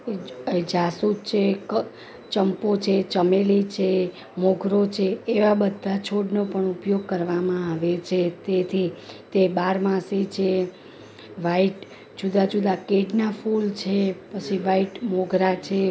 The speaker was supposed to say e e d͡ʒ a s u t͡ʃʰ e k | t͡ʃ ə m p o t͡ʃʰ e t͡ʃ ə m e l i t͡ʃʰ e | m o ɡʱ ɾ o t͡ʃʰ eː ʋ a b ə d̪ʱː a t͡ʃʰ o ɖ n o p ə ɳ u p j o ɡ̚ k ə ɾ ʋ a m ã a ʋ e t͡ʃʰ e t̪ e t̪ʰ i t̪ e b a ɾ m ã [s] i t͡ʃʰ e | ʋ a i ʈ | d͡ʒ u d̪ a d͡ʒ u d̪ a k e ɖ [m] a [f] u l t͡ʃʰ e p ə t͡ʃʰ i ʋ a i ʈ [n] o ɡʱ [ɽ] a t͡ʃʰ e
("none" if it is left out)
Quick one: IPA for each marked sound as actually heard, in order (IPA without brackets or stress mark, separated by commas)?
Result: s, n, f, m, ɾ